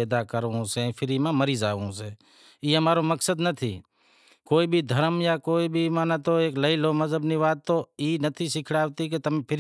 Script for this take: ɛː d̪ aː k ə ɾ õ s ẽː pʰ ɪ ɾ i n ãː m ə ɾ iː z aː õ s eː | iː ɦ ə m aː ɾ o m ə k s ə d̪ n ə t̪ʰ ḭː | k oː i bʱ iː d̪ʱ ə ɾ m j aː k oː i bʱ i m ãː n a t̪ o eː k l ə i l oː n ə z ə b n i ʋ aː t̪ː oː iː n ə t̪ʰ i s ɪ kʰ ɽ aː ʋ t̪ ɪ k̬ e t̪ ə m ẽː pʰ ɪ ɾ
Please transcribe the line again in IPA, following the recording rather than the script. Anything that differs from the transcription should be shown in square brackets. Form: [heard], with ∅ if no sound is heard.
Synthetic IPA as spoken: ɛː d̪ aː k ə ɾ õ s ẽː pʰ ɪ ɾ i [m] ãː m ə ɾ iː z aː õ s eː | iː ɦ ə m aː ɾ o m ə k s ə d̪ n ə t̪ʰ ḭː | k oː i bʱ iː d̪ʱ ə ɾ m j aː k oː i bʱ i m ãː n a t̪ o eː k l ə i l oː [m] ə z ə b n i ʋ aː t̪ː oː iː n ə t̪ʰ i s ɪ kʰ ɽ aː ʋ t̪ [i] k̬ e t̪ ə m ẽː pʰ ɪ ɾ